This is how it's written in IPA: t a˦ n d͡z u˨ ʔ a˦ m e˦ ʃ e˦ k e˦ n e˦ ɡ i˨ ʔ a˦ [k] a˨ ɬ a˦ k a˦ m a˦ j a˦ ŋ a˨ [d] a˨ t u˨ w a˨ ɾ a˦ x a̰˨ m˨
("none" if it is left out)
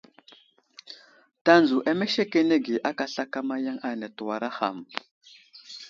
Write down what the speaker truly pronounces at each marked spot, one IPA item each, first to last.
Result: k, n

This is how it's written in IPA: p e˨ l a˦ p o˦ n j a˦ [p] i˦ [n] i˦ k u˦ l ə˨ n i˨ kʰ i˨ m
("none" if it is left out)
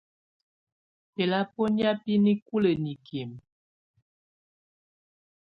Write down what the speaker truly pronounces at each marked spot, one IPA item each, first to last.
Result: p, n

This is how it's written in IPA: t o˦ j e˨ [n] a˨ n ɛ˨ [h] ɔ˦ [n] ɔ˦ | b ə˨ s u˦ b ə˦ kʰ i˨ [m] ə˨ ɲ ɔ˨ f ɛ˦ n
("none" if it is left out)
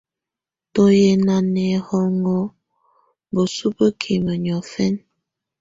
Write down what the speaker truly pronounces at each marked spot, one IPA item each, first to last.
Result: n, h, ŋ, m

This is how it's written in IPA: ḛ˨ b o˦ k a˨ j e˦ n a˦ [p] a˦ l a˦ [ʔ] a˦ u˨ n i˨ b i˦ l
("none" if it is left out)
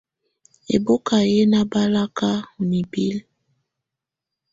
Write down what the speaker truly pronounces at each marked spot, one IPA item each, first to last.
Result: b, k

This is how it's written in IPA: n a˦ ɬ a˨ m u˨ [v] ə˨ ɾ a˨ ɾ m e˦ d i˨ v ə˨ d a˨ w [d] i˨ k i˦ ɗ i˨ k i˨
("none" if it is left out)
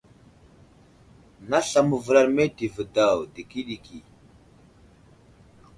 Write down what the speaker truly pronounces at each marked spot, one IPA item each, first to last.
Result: v, d

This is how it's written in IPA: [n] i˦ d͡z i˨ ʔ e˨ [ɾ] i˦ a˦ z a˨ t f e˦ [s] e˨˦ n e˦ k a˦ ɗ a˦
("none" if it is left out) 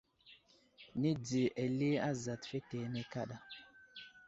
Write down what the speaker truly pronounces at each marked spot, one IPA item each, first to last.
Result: n, l, t

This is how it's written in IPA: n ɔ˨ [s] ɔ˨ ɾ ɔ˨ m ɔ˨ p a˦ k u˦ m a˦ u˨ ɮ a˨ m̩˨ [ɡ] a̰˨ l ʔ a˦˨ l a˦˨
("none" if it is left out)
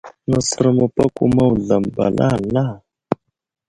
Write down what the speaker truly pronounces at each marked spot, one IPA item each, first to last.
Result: s, b

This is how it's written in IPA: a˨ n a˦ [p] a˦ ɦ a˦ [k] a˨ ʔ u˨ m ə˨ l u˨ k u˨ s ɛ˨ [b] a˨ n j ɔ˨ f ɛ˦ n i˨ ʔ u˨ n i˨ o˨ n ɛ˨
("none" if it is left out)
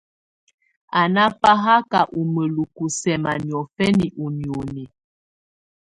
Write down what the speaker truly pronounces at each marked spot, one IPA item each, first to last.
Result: p, k, m

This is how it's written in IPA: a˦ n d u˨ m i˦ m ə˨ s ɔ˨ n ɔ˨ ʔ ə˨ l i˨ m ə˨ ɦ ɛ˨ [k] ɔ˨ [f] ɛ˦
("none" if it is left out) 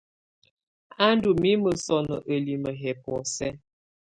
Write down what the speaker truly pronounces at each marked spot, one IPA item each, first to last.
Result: p, s

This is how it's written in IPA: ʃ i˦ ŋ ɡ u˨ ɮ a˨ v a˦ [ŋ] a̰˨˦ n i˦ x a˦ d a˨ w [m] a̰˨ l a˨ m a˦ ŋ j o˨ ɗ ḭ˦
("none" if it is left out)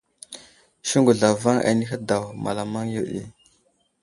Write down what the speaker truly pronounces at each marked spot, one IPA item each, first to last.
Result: ŋ, m

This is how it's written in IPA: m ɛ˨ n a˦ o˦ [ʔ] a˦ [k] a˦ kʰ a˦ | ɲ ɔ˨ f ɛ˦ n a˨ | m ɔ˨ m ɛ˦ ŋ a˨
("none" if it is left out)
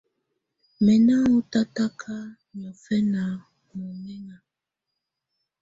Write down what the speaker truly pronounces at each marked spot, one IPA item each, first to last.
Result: t, t

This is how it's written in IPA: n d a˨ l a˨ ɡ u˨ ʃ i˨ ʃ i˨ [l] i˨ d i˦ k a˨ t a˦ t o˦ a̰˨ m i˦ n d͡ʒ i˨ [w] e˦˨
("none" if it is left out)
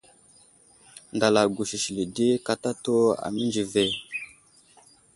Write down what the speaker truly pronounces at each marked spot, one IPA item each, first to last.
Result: l, v

